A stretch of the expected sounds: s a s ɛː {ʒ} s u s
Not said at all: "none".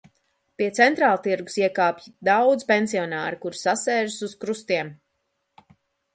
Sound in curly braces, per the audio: ʒ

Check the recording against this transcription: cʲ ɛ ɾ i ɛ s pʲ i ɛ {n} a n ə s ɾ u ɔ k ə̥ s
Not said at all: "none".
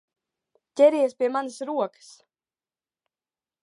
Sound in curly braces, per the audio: m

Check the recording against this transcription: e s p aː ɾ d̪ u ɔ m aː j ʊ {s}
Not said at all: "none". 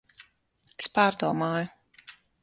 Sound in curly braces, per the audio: none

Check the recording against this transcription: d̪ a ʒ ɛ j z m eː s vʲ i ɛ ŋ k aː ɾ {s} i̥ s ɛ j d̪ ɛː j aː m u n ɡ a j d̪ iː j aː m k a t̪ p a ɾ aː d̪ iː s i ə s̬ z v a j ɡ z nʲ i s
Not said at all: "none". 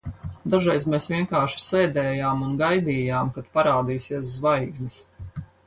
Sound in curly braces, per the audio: ʃ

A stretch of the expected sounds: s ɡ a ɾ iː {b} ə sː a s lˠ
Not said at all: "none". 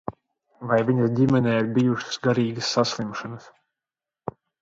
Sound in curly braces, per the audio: ɡ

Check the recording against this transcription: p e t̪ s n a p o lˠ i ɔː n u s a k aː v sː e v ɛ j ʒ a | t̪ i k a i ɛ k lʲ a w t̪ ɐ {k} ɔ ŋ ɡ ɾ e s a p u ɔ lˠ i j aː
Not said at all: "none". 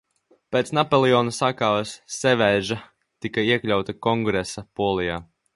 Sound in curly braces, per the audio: k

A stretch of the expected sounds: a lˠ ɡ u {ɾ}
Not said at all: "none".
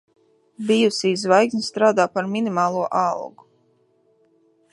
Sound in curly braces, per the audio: none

